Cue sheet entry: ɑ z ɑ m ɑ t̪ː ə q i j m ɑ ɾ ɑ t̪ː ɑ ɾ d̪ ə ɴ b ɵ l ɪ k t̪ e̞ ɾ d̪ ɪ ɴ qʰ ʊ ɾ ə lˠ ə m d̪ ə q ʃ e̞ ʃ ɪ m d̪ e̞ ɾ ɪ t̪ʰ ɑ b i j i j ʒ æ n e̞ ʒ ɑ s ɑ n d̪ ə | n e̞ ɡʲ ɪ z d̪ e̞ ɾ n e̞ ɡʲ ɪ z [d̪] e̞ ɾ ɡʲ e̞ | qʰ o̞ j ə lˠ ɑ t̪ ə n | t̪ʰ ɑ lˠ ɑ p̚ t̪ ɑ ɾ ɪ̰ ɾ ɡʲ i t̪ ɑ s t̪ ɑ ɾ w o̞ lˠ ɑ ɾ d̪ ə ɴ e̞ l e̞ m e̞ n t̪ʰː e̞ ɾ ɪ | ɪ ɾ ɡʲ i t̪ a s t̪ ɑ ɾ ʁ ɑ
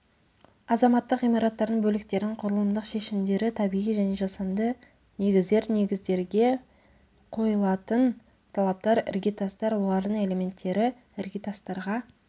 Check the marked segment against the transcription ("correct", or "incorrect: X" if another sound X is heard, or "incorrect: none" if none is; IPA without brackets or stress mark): correct